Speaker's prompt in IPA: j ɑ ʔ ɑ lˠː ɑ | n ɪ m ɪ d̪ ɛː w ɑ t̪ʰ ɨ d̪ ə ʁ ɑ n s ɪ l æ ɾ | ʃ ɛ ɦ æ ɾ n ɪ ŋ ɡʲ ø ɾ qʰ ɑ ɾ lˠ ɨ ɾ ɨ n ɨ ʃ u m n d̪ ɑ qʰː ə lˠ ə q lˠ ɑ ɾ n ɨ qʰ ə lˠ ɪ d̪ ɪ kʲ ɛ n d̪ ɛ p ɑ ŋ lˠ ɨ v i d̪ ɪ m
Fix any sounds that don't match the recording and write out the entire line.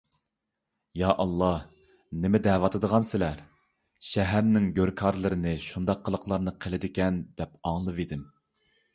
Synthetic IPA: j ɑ ʔ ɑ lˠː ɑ | n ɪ m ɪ d̪ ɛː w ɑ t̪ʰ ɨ d̪ ə ʁ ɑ n s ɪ l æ ɾ | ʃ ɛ ɦ æ ɾ n ɪ ŋ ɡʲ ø ɾ kʰ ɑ ɾ lˠ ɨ ɾ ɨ n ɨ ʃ u n d̪ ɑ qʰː ə lˠ ə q lˠ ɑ ɾ n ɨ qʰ ə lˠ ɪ d̪ ɪ kʲ ɛ n d̪ ɛ p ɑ ŋ lˠ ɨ v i d̪ ɪ m